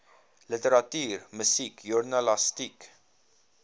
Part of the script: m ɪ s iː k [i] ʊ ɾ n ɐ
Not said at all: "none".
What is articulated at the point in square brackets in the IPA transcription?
j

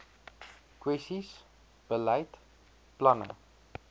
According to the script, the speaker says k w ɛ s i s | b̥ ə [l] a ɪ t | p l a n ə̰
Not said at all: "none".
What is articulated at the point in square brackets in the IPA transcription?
l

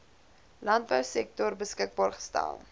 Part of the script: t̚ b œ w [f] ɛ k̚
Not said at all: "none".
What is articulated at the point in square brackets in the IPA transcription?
s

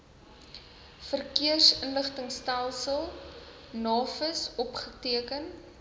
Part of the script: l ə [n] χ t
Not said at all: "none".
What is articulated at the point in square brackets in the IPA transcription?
none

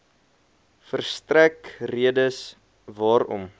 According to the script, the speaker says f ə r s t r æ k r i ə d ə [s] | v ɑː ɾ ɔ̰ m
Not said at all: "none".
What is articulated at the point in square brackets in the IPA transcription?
s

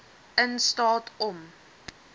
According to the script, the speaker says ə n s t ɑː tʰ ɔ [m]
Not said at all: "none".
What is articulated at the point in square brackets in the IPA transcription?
m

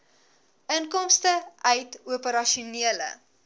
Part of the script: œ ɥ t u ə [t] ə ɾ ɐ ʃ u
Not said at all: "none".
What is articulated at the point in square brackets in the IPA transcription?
p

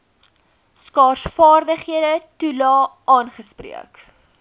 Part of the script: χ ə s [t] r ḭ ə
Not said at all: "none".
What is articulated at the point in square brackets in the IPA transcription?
p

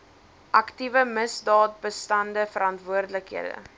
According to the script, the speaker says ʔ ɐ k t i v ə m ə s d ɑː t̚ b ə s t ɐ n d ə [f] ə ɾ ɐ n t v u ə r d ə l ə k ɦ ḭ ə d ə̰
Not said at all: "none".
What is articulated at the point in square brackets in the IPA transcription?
f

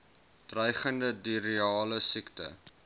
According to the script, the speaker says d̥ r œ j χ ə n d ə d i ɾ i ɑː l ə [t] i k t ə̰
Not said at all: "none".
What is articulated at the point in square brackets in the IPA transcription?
s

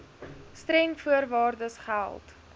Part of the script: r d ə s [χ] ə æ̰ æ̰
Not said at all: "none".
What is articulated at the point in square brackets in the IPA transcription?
χ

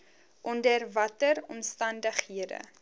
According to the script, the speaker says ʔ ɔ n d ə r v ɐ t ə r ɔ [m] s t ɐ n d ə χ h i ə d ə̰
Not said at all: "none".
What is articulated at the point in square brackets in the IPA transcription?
m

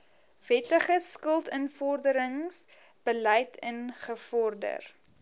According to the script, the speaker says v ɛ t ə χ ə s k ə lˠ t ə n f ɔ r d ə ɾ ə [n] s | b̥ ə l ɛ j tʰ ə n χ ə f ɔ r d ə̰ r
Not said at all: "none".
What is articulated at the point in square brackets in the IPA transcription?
ŋ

